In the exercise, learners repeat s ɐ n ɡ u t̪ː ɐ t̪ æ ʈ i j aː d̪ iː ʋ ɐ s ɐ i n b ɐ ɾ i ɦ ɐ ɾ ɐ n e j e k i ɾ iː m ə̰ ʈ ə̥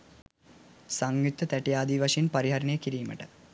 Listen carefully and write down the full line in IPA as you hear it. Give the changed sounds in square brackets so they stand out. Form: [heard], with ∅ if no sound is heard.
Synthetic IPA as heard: s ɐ [ŋ] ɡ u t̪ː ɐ t̪ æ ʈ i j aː d̪ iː ʋ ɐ [ʂ] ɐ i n [p] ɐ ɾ i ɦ ɐ ɾ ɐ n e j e k i ɾ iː m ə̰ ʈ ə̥